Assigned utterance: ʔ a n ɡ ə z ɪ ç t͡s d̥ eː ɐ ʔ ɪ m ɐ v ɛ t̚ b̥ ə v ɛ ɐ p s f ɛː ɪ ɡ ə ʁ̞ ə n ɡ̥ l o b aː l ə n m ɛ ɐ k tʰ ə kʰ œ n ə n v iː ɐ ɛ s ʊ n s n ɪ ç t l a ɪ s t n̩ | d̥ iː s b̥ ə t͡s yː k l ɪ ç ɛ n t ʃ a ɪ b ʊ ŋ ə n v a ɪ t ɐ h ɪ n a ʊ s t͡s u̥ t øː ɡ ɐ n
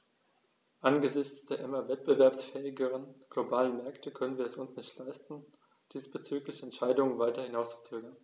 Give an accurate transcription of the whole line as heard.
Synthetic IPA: ʔ a n ɡ ə z ɪ ç t͡s d̥ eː ɐ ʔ ɪ m ɐ v ɛ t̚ b̥ ə v ɛ ɐ p s f ɛː ɪ ɡ ə ʁ̞ ə n ɡ̥ l o b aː l ə n m ɛ ɐ k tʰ ə kʰ œ n ə n v iː ɐ ɛ s ʊ n s n ɪ ç t l a ɪ s t n̩ | d̥ iː s b̥ ə t͡s yː k l ɪ ç ɛ n t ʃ a ɪ d ʊ ŋ ə n v a ɪ t ɐ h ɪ n a ʊ s t͡s u̥ t͡s øː ɡ ɐ n